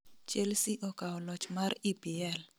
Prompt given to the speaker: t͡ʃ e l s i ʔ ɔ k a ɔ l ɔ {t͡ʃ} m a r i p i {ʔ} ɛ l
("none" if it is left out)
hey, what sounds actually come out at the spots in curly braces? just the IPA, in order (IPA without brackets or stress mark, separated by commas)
t͡ʃ, none